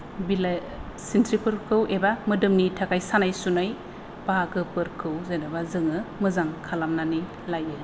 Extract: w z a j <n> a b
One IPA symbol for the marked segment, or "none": n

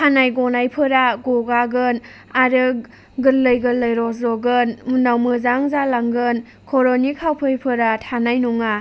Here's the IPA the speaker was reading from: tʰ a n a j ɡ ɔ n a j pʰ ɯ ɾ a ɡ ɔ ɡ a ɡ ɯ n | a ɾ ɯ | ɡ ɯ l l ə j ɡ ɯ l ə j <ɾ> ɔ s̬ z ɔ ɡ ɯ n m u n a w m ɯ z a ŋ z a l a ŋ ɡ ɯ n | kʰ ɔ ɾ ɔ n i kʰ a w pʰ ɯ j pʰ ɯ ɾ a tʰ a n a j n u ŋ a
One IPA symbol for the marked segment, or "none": ɾ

